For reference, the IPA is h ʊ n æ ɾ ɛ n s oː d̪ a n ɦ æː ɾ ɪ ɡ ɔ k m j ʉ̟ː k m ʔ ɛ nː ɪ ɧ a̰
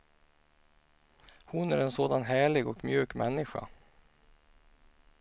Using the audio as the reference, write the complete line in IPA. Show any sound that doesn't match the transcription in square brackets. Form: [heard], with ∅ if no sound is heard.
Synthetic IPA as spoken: h ʊ n æ ɾ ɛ n s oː d̪ a n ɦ æː [ɭ] ɪ ɡ ɔ k m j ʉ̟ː k m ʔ ɛ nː ɪ ɧ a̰